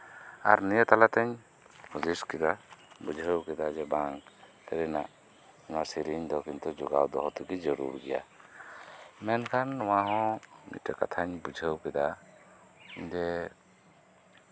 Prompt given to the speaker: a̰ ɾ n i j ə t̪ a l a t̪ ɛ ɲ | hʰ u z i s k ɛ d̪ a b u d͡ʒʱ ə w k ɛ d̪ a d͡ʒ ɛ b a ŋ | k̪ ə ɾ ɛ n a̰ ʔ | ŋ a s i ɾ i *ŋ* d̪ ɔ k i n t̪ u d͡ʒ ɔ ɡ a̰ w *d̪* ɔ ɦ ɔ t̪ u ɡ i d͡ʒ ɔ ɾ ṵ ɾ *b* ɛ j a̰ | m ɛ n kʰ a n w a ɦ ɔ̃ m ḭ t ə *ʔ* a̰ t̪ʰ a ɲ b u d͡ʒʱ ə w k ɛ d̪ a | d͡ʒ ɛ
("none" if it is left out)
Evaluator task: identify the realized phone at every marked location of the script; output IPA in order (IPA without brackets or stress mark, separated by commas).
ɲ, d̪, ɡ, k